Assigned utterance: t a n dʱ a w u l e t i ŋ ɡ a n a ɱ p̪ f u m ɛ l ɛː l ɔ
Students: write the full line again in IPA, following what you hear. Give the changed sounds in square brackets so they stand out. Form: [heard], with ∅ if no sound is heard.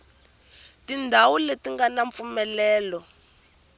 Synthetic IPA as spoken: t [i] n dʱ a w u l e t i ŋ ɡ a n a ɱ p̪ f u m ɛ l ɛː l ɔ

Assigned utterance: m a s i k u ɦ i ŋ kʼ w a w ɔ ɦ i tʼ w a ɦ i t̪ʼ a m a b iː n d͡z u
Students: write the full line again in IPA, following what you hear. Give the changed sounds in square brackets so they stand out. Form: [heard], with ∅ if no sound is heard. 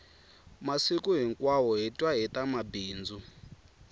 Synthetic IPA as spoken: m a s i k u ɦ i ŋ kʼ w a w ɔ ɦ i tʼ w a ɦ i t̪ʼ a m a b iː n d͡z u

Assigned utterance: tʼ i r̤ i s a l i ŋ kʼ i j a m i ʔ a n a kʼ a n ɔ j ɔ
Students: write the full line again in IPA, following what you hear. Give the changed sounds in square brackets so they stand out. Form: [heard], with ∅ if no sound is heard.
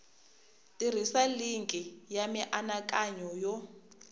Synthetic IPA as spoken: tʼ i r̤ i s a l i ŋ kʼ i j a m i ʔ a n a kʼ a [ɲ] ɔ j ɔ

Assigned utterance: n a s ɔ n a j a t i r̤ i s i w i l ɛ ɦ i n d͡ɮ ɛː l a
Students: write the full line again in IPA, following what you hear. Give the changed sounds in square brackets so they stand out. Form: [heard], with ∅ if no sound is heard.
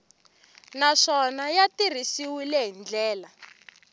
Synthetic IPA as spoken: n a [ʂ] ɔ n a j a t i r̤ i s i w i l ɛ ɦ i n d͡ɮ ɛː l a

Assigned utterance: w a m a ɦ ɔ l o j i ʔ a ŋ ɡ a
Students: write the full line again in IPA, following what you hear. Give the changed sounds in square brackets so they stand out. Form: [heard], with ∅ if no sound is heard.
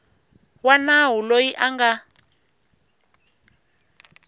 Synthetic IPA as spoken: w a [n] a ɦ [u] l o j i ʔ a ŋ ɡ a

